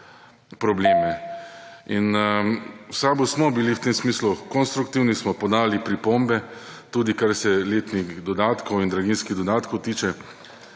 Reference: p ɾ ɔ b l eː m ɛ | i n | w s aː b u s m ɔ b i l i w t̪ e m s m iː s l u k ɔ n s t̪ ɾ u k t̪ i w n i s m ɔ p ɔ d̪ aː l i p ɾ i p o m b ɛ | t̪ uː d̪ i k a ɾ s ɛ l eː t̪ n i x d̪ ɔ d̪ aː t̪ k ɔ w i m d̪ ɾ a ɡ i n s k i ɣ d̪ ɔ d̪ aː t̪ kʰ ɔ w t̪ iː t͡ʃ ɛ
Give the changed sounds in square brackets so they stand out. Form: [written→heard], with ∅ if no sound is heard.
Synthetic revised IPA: p ɾ ɔ b l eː m ɛ | i n | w s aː b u s m ɔ b i l i w t̪ e m s m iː s l u k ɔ n s t̪ ɾ u k t̪ i w n i s m ɔ p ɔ d̪ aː l i p ɾ i p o m b ɛ | t̪ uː d̪ i k a ɾ s ɛ l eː t̪ n i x d̪ ɔ d̪ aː t̪ k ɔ w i [m→n] d̪ ɾ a ɡ i n s k i ɣ d̪ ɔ d̪ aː t̪ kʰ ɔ w t̪ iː t͡ʃ ɛ